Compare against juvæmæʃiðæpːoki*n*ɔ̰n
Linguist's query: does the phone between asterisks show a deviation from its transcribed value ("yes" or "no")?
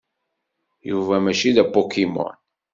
yes